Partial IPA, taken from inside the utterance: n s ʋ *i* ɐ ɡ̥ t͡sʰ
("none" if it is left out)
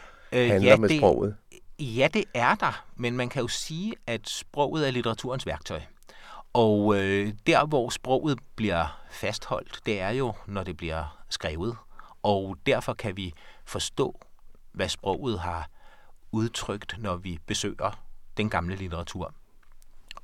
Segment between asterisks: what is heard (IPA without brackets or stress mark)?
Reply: æ